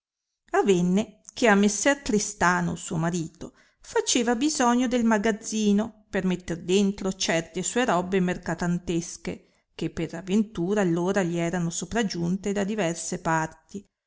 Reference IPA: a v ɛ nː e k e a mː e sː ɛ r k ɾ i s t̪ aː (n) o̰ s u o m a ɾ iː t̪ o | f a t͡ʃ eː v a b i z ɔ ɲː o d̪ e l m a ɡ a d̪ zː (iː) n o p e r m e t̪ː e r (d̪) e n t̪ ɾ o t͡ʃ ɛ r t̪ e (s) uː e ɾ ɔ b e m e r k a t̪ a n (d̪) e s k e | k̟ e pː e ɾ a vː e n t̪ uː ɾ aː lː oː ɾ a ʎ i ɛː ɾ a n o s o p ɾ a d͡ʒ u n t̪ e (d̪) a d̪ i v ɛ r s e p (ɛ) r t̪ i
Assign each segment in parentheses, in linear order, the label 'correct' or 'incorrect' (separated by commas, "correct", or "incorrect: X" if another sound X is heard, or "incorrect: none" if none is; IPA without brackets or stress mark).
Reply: correct, correct, correct, correct, incorrect: t̪, correct, incorrect: a